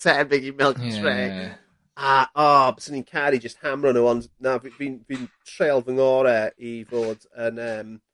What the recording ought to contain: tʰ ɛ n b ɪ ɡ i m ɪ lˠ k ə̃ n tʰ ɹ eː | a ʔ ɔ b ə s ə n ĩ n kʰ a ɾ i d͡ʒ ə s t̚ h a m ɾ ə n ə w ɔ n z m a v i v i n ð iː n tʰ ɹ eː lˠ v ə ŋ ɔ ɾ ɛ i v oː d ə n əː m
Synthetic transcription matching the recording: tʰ ɛ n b ɪ ɡ i m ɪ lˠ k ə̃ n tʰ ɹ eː | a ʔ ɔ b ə s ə n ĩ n kʰ a ɾ i d͡ʒ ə s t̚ h a m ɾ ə n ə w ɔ n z n a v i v i n v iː n tʰ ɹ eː lˠ v ə ŋ ɔ ɾ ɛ i v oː d ə n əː m